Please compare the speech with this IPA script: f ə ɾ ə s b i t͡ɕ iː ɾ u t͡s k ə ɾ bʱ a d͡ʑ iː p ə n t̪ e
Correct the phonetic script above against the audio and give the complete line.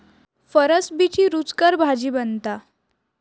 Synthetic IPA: f ə ɾ ə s b i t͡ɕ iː ɾ u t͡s k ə ɾ bʱ a d͡ʑ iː b ə n t̪ a

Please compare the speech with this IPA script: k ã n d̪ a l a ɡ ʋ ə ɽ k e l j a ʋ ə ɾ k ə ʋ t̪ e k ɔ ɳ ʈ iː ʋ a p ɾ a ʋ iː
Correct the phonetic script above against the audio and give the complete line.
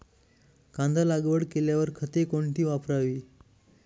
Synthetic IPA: k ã n d̪ a l a ɡ ʋ ə ɽ k e l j a ʋ ə ɾ kʰ ə t̪ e k o ɳ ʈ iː ʋ a p ɾ a ʋ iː

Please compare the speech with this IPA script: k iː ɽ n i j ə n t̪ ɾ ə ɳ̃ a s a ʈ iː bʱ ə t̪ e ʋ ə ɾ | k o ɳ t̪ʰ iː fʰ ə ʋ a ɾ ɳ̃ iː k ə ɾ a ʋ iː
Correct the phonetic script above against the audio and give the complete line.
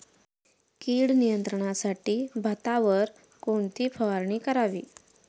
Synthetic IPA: k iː ɽ n i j ə n t̪ ɾ ə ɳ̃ a s a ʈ iː bʱ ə t̪ a ʋ ə ɾ | k o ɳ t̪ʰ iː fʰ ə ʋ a ɾ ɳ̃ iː k ə ɾ a ʋ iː

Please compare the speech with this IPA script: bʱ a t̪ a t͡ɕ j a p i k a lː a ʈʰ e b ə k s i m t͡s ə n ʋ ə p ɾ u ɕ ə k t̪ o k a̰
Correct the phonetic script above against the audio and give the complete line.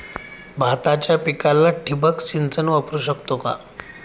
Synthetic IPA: bʱ a t̪ a t͡ɕ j a p i k a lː a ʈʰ i b ə k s i n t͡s ə n ʋ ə p ɾ u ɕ ə k t̪ o k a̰

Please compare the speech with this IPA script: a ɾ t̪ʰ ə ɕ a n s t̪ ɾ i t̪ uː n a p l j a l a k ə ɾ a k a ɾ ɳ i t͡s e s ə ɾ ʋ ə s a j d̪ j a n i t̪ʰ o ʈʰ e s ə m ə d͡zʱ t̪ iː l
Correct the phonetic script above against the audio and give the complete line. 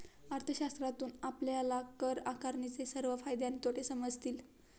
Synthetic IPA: a ɾ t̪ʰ ə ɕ a s t̪ ɾ a t̪ uː n a p l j a l a k ə ɾ a k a ɾ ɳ i t͡s e s ə ɾ ʋ ə f a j d̪ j a n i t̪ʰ o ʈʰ e s ə m ə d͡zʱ t̪ iː l

